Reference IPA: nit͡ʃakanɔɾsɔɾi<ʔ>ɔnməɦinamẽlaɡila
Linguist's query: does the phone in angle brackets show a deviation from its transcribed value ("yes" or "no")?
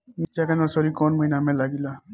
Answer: yes